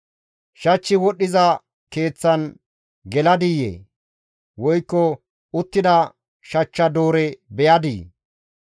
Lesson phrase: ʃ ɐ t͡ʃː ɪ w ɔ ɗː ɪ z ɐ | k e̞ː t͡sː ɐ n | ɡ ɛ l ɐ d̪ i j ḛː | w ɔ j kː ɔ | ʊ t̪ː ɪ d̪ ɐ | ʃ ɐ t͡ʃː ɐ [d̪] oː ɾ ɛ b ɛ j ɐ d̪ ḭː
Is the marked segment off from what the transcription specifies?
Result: no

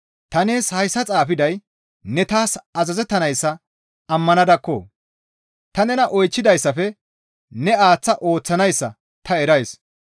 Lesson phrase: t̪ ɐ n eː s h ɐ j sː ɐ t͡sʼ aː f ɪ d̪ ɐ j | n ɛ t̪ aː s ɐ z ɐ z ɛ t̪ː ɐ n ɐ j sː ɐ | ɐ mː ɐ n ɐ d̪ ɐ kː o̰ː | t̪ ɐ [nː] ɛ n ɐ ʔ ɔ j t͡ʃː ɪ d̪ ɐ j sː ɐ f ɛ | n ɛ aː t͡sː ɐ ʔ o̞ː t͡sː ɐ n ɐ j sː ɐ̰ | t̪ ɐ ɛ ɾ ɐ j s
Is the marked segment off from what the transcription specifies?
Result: yes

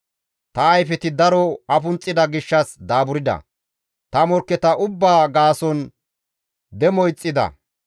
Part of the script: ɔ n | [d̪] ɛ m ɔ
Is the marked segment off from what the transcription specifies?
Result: no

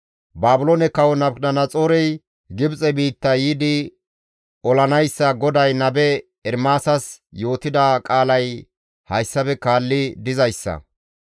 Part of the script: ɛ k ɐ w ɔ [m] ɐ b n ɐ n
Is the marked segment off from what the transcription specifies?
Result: yes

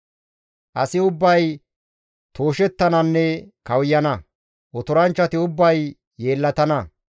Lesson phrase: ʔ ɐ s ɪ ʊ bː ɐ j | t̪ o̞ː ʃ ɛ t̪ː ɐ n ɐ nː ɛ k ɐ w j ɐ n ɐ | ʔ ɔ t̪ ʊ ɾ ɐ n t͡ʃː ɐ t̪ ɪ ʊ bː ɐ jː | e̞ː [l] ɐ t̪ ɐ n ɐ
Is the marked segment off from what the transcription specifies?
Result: yes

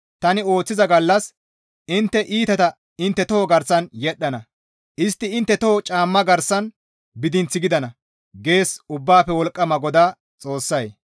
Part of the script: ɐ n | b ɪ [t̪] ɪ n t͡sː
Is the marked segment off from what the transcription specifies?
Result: yes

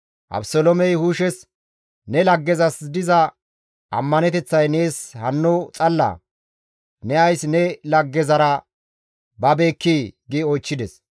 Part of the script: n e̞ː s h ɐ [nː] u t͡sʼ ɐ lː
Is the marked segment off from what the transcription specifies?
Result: no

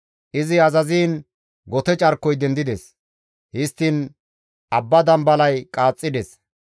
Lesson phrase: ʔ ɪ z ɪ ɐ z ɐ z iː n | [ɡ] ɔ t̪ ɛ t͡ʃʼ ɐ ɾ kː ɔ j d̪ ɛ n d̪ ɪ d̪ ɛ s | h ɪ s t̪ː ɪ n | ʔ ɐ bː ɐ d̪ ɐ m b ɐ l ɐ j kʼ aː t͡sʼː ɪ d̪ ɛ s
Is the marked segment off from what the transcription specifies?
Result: no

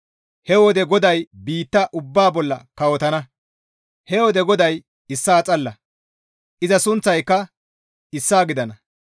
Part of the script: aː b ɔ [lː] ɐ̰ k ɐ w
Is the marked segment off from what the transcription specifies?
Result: no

